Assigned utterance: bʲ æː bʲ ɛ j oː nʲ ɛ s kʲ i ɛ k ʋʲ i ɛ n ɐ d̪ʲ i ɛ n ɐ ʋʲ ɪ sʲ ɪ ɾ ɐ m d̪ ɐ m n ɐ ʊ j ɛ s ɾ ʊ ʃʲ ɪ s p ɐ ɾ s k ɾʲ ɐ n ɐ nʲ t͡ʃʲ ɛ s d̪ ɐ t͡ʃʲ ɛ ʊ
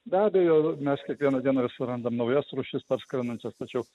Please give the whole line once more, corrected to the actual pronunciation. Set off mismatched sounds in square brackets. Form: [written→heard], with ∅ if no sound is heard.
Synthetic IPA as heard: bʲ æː bʲ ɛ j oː [nʲ→mʲ] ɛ s kʲ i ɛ k ʋʲ i ɛ n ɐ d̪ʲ i ɛ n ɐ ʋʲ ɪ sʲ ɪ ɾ ɐ [m→n] d̪ ɐ m n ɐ ʊ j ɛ s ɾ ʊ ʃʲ ɪ s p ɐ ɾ s k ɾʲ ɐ n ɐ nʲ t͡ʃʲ ɛ s [d̪→t̪] ɐ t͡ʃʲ ɛ ʊ